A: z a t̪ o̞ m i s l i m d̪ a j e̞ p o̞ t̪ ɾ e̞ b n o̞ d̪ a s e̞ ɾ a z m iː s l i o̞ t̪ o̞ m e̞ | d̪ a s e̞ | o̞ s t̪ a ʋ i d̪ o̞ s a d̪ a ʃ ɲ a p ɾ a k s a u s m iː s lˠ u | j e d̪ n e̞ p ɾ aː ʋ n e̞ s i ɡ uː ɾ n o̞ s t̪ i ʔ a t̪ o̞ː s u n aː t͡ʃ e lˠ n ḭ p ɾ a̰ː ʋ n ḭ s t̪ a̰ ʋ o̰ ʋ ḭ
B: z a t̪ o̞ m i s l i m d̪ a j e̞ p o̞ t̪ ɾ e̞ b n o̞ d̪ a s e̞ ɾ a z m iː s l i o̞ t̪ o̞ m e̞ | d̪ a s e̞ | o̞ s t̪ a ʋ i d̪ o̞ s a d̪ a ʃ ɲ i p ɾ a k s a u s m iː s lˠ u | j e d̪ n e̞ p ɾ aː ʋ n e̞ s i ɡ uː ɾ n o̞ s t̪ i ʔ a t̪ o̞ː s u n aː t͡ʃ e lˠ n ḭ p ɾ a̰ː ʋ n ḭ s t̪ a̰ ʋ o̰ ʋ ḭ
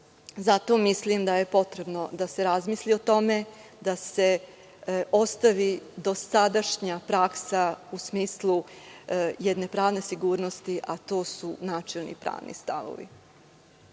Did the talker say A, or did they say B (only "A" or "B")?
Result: A